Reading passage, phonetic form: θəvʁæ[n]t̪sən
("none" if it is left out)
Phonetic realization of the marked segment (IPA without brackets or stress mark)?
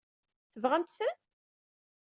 m